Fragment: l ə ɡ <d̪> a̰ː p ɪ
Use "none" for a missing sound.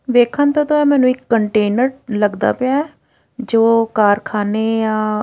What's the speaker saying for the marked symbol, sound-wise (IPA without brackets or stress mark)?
d̪